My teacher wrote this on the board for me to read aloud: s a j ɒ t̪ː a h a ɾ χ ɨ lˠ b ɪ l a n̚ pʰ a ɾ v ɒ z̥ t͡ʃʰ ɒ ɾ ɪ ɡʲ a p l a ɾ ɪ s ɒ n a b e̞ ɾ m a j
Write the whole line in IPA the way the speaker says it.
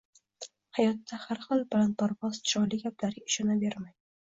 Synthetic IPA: h a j ɒ t̪ː a h a ɾ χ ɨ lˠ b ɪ l a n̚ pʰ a ɾ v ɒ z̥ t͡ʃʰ ɒ l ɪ ɡʲ a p l a ɾ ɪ ʃ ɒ n a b e̞ ɾ m a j